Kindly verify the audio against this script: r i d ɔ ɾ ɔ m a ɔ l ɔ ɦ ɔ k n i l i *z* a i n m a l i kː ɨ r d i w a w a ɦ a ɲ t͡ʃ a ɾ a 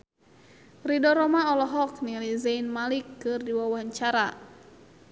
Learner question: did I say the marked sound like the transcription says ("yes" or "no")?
yes